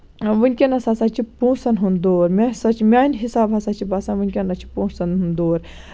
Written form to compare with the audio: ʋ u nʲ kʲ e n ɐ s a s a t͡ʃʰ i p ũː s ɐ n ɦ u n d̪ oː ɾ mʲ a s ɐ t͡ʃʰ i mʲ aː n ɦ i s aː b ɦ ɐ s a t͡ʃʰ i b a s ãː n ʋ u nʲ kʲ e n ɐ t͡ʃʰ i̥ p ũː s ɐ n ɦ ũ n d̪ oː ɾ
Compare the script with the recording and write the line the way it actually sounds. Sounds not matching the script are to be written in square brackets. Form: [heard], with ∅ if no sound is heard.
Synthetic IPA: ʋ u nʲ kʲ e n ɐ s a s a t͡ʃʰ i p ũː s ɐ n ɦ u n d̪ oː ɾ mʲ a s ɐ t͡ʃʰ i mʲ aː n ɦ i s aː b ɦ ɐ s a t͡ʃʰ i b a s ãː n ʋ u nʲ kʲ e n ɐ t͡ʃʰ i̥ p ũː s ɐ n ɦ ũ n d̪ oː ɾ